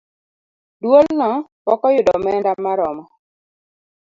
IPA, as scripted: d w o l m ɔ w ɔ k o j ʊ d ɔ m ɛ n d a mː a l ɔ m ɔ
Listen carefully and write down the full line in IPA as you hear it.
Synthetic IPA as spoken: d w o l n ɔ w ɔ k ɔ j ʊ d ɔ m ɛ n d a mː a ɾ ɔ m ɔ

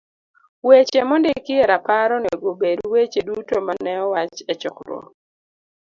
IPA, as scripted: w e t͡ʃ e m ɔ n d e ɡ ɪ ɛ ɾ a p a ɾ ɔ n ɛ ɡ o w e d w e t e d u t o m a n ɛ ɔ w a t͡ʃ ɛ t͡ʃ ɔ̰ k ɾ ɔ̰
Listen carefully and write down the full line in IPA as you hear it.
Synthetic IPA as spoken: w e t͡ʃ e m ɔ n d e k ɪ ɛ ɾ a p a ɾ ɔ n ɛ ɡ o b e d w e t͡ʃ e d u t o m a n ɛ ɔ w a t͡ʃ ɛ t͡ʃ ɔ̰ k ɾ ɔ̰

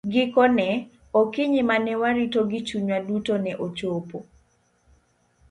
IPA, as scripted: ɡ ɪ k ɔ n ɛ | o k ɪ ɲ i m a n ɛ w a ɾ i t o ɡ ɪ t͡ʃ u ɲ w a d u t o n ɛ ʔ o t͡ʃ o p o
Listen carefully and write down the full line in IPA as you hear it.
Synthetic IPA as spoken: ɡ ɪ k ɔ n ɛ | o k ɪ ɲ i m a n ɛ w a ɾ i t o ɡ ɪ t͡ʃ u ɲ w a d u t o n ɛ ʔ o t͡ʃ o p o

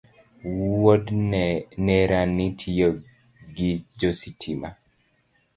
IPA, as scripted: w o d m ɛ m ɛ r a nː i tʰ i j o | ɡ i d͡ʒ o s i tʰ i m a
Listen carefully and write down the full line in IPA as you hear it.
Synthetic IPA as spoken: w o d n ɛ n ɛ ɾ a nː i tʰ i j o | ɡ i d͡ʒ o s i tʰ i m a

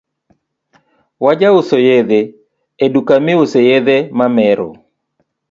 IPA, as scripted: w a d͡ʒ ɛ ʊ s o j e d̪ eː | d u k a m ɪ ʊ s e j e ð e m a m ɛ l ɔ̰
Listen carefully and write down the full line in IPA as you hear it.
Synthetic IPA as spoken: w a d͡ʒ a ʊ s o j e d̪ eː | d u k a m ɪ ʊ s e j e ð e m a m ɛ ɾ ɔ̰

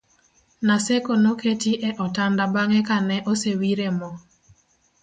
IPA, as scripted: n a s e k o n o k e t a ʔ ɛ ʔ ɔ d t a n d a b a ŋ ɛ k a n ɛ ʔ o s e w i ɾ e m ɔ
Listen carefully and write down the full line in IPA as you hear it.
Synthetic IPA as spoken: n a s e k o n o k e t i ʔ ɛ ʔ ɔ t a n d a b a ŋ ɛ k a n ɛ ʔ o s e w i ɾ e m ɔ

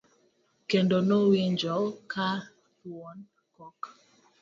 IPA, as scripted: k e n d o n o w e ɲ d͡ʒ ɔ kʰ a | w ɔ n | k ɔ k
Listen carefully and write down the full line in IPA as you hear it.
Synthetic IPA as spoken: k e n d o n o w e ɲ d͡ʒ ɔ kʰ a | w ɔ n | k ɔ k

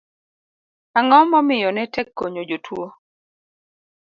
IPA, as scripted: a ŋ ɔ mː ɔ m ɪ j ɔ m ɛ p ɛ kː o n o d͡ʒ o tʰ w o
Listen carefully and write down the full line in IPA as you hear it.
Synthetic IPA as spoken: a ŋ ɔ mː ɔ m ɪ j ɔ n ɛ t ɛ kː o ɲ o d͡ʒ o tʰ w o

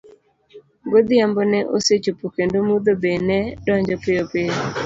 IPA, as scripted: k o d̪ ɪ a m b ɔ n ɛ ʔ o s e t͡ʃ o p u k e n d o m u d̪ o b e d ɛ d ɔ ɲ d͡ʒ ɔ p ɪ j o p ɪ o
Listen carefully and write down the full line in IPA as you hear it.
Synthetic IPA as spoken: ɡ o d̪ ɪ a m b ɔ n ɛ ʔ o s e t͡ʃ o p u k e n d o m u d̪ o b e n ɛ d ɔ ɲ d͡ʒ ɔ p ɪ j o p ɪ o

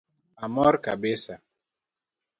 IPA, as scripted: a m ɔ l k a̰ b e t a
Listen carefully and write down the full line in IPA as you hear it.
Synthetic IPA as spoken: a m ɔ ɾ k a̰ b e s a

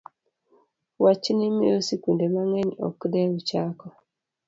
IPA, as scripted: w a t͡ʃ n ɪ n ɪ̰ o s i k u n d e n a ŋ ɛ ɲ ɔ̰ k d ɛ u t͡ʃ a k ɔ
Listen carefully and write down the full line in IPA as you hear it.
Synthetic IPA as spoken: w a t͡ʃ n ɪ m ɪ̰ o s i k u n d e m a ŋ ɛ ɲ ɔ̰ k d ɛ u t͡ʃ a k ɔ

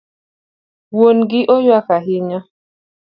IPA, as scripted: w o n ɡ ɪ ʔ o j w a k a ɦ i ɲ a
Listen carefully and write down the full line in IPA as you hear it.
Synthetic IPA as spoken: w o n ɡ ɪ ʔ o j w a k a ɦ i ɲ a

